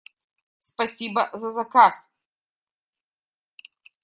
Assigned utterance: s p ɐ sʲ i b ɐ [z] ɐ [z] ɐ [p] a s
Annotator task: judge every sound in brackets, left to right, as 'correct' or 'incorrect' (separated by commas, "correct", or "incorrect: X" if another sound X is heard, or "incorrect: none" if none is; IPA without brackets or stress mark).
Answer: correct, correct, incorrect: k